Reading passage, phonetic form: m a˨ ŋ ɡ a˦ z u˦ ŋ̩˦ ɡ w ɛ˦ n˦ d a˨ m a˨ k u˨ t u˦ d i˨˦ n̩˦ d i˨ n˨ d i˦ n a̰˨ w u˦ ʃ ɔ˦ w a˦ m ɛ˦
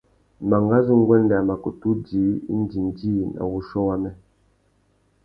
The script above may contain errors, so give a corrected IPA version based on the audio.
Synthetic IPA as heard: m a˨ ŋ ɡ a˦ z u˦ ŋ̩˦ ɡ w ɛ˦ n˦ d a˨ m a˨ k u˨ t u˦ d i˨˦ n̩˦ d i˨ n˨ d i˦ n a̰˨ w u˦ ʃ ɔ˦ w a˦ m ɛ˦